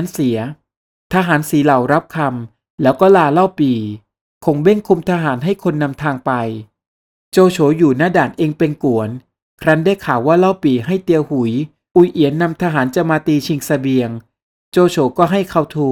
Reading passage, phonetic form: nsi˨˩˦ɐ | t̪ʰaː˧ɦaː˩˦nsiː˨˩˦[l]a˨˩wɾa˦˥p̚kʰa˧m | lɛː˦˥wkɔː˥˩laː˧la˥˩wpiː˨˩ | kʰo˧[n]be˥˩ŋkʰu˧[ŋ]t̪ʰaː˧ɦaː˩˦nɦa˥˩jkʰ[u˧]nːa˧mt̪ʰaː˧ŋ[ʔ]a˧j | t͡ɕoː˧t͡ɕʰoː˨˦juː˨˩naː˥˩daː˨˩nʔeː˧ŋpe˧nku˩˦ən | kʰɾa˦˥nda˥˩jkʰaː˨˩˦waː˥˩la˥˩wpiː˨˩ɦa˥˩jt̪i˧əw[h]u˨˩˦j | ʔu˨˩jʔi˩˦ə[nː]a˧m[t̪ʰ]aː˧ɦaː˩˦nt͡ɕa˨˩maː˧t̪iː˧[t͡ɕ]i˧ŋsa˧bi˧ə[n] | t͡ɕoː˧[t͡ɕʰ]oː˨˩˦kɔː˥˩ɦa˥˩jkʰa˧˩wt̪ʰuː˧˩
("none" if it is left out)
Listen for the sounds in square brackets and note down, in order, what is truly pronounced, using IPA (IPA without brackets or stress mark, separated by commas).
l, ŋ, m, o˧, p, h, nː, t̪ʰ, t͡ɕʰ, ŋ, t͡ɕʰ